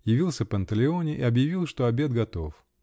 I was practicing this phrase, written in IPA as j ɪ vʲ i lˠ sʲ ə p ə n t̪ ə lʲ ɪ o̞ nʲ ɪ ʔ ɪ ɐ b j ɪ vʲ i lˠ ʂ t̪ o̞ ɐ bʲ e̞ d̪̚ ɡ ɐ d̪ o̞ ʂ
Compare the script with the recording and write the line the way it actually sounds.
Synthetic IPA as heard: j ɪ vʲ i lˠ sʲ ə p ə n t̪ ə lʲ ɪ o̞ nʲ ɪ ʔ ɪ ɐ b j ɪ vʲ i lˠ ʂ t̪ o̞ ɐ bʲ e̞ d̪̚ ɡ ɐ t̪ o̞ f